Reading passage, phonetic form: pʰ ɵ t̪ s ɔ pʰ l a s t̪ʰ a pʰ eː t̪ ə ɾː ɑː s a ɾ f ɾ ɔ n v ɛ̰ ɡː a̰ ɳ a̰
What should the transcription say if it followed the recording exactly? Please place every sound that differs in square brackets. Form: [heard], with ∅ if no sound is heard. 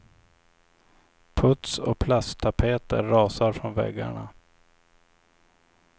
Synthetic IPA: pʰ ɵ t̪ s ɔ pʰ l a s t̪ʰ a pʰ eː t̪ ə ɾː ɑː s a ɾ f ɾ ɔ n v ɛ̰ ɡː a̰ ɳ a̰